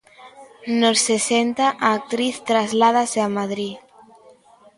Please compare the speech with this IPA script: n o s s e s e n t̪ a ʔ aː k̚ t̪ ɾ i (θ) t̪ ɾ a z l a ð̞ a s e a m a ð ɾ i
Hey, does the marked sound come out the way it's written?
yes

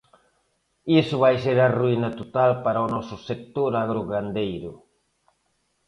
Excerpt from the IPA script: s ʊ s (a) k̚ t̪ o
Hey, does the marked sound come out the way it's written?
no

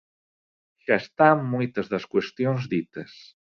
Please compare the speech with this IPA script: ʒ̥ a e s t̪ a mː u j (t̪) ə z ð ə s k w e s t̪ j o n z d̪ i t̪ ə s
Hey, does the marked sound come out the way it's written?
yes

